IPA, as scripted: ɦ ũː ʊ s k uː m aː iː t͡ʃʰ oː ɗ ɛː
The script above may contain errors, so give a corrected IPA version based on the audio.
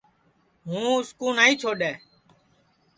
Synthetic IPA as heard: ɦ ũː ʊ s k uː n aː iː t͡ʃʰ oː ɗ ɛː